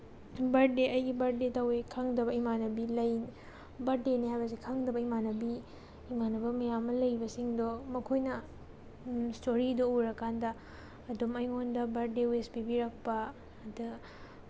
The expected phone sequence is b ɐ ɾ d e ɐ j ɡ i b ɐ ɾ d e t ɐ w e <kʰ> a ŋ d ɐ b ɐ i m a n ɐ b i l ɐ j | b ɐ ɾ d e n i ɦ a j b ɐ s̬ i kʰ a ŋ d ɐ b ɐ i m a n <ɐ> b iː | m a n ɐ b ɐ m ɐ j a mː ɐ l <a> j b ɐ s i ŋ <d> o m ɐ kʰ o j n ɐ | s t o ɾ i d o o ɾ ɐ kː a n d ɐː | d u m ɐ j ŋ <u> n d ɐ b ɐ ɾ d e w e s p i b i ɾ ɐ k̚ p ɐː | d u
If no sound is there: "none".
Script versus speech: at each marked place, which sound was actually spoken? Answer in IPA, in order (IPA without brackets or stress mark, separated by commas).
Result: kʰ, ɐ, ɐ, d, o